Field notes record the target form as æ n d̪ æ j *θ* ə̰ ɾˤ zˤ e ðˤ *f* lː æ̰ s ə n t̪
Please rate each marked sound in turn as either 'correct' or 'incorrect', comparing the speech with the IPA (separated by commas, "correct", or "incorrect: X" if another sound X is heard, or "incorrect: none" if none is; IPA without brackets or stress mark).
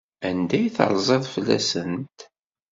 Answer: correct, correct